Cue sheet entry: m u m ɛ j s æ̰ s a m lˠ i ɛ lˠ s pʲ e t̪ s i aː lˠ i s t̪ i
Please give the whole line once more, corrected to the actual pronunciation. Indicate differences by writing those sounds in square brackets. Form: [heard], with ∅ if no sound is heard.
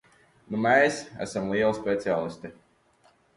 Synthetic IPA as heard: [n] u m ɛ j s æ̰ s a m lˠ i ɛ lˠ s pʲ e t̪ s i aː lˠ i s t̪ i